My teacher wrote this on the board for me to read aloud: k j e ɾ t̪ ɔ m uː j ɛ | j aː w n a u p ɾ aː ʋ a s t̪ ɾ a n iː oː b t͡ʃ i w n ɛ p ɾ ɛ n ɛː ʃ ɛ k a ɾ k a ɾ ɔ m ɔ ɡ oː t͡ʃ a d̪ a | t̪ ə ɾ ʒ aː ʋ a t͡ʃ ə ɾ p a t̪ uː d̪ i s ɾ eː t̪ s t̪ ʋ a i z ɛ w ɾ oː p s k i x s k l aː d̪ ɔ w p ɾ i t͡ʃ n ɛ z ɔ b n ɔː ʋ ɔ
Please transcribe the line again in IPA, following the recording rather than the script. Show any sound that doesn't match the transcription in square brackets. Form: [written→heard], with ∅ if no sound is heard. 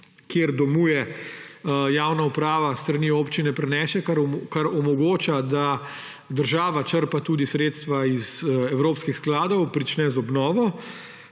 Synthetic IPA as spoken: k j e ɾ [t̪→d̪] ɔ m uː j ɛ | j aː w n a u p ɾ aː ʋ a s t̪ ɾ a n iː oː [b→p] t͡ʃ i [w→∅] n ɛ p ɾ ɛ n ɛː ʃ ɛ k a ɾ k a ɾ ɔ m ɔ ɡ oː t͡ʃ a d̪ a | [t̪→d̪] ə ɾ ʒ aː ʋ a t͡ʃ ə ɾ p a t̪ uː d̪ i s ɾ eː t̪ s t̪ ʋ a i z ɛ w ɾ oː p s k i x s k l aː d̪ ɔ w p ɾ i t͡ʃ n ɛ z ɔ b n ɔː ʋ ɔ